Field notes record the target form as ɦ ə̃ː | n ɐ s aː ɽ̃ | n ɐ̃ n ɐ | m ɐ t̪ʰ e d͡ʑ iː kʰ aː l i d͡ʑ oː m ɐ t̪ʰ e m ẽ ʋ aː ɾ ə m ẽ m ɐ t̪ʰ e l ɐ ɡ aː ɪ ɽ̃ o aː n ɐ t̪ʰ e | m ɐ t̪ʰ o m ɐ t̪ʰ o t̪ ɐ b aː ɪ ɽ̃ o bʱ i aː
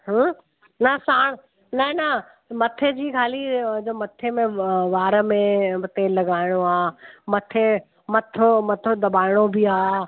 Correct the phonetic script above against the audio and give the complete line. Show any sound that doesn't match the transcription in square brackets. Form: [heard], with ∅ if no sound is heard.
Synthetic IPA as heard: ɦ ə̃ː | n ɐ s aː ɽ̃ | n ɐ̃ n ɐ | m ɐ t̪ʰ e d͡ʑ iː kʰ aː l i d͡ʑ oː m ɐ t̪ʰ e m ẽ ʋ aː ɾ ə m ẽ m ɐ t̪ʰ e l ɐ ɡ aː ɪ ɽ̃ o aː [m] ɐ t̪ʰ e | m ɐ t̪ʰ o m ɐ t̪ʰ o [d̪] ɐ b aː ɪ ɽ̃ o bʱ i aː